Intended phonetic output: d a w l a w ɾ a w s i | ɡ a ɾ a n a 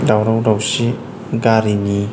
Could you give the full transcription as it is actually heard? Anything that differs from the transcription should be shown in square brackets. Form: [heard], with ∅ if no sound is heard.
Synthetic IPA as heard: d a w [ɾ] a w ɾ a w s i | ɡ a ɾ [i] n [i]